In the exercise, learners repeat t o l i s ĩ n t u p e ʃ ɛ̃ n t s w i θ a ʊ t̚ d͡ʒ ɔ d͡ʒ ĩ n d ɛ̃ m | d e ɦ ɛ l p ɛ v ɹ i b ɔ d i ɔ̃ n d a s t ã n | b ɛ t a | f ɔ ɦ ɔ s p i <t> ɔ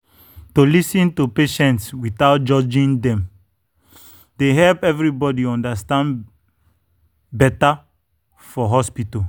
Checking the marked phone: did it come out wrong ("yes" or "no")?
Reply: no